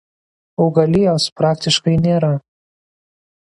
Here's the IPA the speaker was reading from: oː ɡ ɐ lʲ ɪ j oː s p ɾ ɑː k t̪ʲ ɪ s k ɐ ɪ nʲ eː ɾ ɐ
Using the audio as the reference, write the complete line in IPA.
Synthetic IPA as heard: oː ɡ ɐ lʲ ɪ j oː s p ɾ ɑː k t̪ʲ ɪ ʃ k ɐ ɪ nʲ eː ɾ ɐ